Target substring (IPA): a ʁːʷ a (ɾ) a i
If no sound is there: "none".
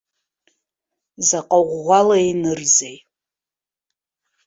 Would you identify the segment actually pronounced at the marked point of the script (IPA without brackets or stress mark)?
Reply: l